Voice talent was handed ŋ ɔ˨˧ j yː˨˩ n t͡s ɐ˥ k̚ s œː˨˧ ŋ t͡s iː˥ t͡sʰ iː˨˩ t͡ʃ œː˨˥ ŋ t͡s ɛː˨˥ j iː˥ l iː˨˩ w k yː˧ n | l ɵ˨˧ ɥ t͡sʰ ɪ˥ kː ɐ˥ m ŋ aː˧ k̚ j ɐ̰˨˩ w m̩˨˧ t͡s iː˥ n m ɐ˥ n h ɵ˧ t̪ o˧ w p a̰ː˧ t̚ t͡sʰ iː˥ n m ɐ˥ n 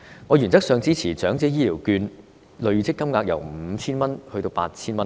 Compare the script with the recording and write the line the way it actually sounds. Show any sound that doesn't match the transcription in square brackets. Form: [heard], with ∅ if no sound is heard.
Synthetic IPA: ŋ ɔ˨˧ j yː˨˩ n t͡s ɐ˥ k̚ s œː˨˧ ŋ t͡s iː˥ t͡sʰ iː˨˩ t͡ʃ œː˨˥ ŋ t͡s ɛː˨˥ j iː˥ l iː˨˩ w k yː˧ n | l ɵ˨˧ ɥ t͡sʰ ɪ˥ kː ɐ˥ m ŋ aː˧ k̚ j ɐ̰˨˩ w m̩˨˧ [t͡sʰ] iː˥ n m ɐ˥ n h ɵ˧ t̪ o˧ w p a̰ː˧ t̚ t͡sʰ iː˥ n m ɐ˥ n